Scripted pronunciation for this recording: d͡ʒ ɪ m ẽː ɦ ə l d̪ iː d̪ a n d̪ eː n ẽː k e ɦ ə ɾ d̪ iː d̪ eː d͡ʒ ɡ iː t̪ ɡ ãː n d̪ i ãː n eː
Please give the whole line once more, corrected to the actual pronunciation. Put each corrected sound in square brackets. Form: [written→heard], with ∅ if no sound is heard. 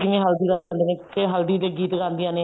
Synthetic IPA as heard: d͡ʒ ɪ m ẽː ɦ ə l d̪ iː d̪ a n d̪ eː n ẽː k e ɦ ə [ɾ→l] d̪ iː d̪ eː [d͡ʒ→∅] ɡ iː t̪ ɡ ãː n d̪ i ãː n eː